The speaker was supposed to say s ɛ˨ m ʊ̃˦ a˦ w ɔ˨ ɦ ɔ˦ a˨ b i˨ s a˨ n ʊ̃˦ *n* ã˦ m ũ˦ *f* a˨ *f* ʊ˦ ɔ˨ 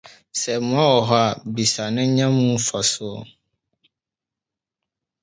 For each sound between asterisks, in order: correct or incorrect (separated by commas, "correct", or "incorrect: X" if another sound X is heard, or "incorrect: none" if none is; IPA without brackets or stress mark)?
incorrect: ɲ, correct, incorrect: s